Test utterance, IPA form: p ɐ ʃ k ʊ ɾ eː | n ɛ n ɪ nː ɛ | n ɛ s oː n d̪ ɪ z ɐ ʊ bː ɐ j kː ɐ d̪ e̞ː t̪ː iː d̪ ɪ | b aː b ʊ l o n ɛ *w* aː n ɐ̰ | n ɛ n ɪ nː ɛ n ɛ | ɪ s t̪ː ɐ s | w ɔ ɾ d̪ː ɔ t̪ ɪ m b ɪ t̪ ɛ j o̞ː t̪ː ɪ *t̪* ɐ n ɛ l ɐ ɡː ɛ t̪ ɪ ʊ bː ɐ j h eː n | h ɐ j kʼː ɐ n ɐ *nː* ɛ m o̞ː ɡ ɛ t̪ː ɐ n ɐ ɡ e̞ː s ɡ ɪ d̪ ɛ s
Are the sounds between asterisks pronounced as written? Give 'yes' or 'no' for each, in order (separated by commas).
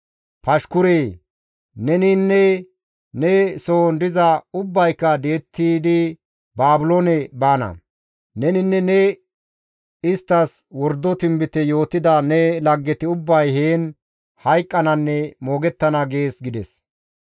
no, no, yes